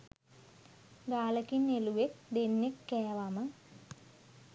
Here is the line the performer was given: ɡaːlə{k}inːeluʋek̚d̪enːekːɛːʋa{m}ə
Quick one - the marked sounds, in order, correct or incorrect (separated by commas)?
correct, correct